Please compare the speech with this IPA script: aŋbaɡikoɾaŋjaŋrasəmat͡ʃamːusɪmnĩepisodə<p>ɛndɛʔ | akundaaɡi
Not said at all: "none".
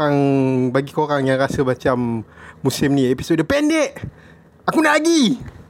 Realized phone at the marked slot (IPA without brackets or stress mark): p